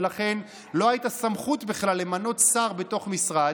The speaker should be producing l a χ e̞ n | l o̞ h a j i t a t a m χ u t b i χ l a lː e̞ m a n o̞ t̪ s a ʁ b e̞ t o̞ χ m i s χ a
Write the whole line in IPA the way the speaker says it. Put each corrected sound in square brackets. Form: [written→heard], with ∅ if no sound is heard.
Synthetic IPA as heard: l a χ e̞ n | l o̞ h a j i t a [t→s] a m χ u t b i χ l a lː e̞ m a n o̞ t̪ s a ʁ b e̞ t o̞ χ m i s [χ→ʁ] a